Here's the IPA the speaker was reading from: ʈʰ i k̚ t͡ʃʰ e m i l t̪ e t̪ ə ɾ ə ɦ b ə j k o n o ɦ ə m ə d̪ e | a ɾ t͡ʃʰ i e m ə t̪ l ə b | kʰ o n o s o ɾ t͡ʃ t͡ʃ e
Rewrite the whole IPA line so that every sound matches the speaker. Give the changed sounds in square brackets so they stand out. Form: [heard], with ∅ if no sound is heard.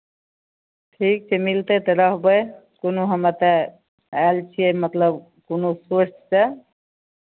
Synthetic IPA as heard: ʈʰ i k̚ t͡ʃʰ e m i l t̪ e t̪ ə ɾ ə ɦ b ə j k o n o ɦ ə m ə [t̪] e | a [l] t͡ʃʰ i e m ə t̪ l ə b | [k] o n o s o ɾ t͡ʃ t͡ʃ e